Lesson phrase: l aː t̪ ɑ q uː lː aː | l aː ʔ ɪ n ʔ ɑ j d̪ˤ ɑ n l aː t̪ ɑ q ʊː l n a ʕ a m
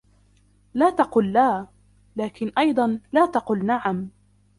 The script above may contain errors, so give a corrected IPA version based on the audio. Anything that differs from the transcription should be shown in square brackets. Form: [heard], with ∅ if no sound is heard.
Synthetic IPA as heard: l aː t̪ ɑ q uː lː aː | l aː [k] ɪ n ʔ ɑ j d̪ˤ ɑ n l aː t̪ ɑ q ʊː l n a ʕ a m